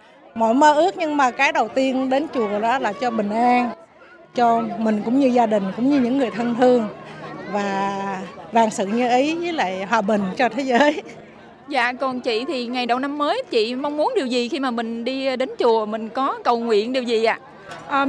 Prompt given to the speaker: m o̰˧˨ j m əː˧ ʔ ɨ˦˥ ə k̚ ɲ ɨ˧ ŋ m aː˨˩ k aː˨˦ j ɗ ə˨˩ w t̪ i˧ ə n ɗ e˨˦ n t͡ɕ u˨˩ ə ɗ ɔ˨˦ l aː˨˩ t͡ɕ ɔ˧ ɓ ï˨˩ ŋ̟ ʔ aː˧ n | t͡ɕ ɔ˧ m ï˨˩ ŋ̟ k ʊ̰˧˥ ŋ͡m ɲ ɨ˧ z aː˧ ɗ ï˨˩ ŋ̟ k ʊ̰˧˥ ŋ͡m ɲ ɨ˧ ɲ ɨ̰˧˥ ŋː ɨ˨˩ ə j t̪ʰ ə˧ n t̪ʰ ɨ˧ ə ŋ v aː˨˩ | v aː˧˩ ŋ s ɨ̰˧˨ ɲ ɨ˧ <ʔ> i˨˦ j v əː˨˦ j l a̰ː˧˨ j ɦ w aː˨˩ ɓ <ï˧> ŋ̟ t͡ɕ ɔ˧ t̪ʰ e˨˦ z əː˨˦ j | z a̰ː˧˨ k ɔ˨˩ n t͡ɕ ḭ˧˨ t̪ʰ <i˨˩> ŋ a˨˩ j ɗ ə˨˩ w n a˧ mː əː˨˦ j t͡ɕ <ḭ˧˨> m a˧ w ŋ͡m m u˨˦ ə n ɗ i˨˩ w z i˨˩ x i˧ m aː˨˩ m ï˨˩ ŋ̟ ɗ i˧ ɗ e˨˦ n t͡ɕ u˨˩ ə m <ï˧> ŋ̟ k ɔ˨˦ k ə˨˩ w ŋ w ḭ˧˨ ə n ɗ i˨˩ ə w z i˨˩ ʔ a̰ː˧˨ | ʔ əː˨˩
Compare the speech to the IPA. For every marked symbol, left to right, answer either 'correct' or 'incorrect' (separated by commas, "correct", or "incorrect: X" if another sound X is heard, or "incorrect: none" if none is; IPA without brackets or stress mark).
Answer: correct, incorrect: ï˨˩, correct, correct, incorrect: ï˨˩